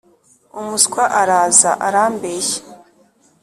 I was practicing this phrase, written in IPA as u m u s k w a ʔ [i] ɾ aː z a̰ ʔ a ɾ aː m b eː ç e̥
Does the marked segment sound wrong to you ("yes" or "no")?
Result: yes